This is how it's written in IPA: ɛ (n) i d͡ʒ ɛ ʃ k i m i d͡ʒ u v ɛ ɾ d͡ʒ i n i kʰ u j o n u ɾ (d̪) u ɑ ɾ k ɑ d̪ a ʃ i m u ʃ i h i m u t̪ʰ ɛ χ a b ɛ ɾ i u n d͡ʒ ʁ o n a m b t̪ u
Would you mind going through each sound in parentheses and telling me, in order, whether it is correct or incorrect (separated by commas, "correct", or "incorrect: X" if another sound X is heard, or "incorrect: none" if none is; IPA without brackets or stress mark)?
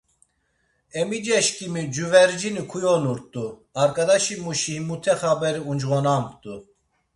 incorrect: m, incorrect: t̪